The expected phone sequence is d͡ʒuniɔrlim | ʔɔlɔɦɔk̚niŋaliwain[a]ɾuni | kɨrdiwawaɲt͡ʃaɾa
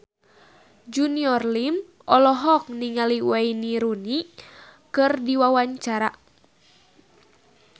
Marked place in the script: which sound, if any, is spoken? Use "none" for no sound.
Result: i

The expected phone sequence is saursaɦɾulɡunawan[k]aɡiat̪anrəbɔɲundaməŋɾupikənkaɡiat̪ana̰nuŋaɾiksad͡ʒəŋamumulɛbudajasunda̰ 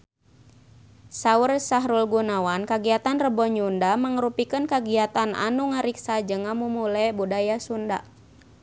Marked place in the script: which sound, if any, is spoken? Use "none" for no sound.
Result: k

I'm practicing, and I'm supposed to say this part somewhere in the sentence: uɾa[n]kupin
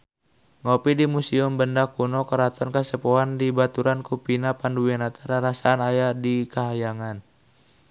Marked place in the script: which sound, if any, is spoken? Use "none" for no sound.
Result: n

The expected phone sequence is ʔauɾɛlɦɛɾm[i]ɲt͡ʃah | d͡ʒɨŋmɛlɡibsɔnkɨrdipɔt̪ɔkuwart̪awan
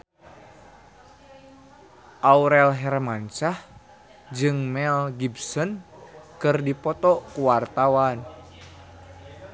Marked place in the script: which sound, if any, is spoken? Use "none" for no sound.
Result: a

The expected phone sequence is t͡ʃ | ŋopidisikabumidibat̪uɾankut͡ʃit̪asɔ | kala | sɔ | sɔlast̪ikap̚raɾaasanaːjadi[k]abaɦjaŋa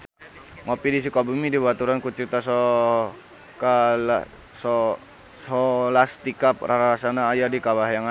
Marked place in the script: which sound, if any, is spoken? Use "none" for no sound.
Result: k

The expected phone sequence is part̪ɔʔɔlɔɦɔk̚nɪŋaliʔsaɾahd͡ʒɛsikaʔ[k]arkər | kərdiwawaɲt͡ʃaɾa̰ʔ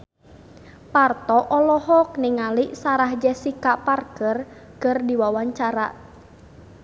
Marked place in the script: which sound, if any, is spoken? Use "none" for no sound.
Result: p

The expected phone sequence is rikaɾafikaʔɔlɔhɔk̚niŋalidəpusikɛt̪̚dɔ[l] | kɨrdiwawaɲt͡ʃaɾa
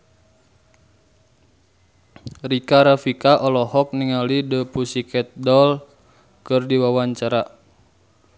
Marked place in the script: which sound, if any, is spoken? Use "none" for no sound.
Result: l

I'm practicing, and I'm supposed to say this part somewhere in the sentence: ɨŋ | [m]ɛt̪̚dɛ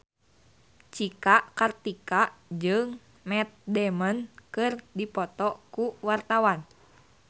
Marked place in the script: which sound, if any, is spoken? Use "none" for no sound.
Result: m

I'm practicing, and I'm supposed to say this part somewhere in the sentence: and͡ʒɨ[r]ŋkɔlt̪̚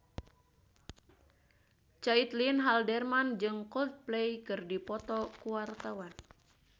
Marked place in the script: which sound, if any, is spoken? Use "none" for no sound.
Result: none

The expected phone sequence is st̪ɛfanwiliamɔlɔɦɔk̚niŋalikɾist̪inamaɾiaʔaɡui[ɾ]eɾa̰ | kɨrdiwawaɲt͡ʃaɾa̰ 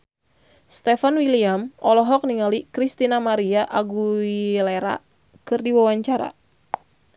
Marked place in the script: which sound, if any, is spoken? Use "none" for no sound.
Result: l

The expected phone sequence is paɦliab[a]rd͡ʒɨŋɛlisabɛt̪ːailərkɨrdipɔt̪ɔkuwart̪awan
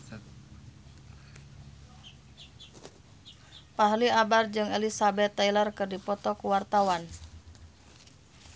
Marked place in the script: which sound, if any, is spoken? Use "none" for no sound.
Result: a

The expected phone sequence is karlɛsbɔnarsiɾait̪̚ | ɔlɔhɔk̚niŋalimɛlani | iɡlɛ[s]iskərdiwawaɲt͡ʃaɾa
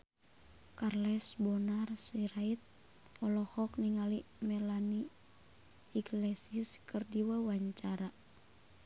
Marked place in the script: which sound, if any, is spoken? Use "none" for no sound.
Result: s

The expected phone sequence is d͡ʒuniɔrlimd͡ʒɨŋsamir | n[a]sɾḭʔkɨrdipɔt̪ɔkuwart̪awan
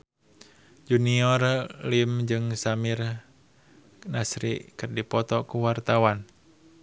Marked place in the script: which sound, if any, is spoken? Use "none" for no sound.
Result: a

